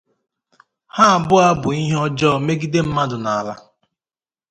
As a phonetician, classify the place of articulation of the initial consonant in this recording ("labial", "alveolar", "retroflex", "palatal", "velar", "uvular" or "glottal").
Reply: glottal